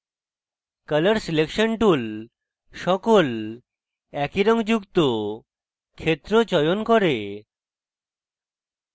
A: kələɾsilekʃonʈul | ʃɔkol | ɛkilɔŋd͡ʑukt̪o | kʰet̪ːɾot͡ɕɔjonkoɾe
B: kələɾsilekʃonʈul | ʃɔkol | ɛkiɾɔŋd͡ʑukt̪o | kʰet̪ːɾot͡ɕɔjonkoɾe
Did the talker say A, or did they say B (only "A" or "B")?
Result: B